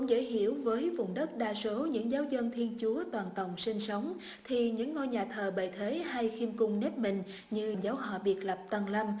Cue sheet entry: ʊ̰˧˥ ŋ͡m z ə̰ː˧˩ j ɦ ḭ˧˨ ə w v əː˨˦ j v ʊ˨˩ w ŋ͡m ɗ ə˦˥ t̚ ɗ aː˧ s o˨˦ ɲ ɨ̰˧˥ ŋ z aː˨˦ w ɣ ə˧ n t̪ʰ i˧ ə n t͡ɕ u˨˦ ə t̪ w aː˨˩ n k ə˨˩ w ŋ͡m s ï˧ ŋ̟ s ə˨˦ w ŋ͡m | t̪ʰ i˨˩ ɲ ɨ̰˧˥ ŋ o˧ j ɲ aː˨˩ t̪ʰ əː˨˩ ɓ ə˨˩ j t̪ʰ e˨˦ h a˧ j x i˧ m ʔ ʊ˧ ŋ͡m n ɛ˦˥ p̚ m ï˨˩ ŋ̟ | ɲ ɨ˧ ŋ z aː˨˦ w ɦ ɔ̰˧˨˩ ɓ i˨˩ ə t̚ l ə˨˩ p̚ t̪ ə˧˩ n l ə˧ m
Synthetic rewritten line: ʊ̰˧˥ ŋ͡m z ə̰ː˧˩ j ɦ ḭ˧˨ ə w v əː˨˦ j v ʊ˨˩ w ŋ͡m ɗ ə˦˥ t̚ ɗ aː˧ s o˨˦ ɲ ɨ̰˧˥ ŋ z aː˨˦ w z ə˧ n t̪ʰ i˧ ə n t͡ɕ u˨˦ ə t̪ w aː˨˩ n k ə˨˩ w ŋ͡m s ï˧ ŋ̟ s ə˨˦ w ŋ͡m | t̪ʰ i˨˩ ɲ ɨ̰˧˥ ŋː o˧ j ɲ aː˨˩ t̪ʰ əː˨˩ ɓ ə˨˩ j t̪ʰ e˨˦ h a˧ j x i˧ m k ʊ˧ ŋ͡m n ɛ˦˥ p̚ m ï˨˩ ŋ̟ | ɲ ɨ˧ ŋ z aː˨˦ w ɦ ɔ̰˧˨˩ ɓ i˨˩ ə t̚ l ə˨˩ p̚ t̪ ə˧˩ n l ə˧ m